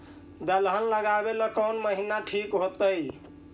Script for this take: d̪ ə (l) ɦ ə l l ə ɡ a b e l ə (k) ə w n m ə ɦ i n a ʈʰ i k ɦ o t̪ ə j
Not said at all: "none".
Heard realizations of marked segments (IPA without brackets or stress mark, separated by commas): l, k